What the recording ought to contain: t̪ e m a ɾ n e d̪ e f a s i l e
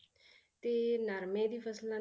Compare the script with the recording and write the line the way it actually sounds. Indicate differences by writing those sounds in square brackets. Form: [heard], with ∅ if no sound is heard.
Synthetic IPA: t̪ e [n] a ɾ [m] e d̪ [i] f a s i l [a]